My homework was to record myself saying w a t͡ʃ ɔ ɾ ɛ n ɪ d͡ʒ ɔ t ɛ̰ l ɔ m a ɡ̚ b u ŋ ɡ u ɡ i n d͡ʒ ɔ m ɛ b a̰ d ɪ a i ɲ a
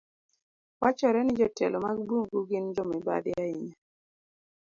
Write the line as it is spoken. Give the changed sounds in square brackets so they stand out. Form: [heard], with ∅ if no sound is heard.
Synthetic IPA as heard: w a t͡ʃ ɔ ɾ ɛ n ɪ d͡ʒ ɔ t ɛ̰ l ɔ m a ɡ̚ b u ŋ ɡ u ɡ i n d͡ʒ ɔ m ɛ b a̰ d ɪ a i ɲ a